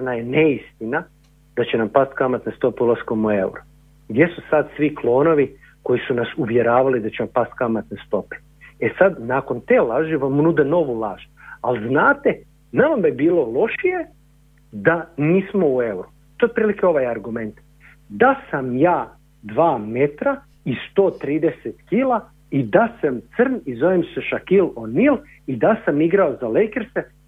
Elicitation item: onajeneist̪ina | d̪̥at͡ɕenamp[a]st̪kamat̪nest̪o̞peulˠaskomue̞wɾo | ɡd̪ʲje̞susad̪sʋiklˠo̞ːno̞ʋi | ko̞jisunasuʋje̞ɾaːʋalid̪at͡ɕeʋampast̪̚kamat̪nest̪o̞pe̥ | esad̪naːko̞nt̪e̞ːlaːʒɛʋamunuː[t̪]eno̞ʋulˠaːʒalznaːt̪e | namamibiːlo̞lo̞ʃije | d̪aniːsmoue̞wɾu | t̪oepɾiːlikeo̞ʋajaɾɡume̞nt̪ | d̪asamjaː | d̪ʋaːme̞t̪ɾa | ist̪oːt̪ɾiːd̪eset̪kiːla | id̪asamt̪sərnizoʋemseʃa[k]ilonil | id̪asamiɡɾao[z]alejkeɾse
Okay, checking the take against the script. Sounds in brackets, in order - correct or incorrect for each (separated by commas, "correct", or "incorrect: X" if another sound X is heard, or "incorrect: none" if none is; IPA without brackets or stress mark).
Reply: correct, incorrect: d̪, correct, correct